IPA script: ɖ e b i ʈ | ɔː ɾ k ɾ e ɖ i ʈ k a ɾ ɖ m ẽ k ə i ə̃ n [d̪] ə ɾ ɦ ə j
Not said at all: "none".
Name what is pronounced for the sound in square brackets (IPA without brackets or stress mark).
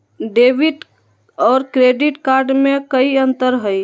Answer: t̪